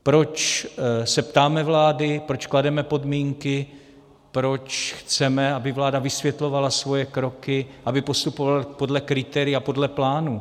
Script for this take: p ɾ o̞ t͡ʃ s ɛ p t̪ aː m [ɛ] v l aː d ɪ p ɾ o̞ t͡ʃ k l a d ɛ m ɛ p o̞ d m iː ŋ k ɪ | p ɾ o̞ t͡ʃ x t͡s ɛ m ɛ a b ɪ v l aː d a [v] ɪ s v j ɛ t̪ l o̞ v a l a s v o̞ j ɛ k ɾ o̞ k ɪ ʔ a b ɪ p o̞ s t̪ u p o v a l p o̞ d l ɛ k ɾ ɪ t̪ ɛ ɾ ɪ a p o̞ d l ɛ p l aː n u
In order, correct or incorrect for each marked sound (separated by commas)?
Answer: correct, correct